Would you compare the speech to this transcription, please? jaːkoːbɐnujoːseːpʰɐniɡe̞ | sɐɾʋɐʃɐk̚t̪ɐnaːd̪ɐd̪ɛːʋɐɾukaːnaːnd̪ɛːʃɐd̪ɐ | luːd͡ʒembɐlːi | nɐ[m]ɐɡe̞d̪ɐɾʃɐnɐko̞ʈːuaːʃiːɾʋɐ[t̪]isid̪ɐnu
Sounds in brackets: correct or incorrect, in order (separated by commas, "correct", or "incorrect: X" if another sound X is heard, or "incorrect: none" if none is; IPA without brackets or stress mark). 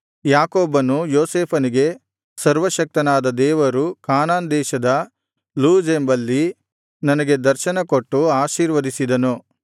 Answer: incorrect: n, incorrect: d̪